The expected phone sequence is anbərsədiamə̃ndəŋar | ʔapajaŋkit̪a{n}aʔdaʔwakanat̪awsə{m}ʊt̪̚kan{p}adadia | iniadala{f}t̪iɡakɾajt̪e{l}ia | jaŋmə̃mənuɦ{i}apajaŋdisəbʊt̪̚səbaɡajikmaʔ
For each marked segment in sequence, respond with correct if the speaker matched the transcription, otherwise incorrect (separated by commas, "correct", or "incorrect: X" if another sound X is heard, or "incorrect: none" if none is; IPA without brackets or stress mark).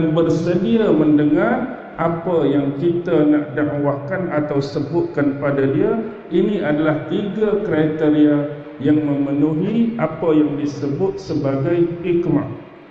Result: correct, incorrect: b, correct, incorrect: h, incorrect: ɾ, correct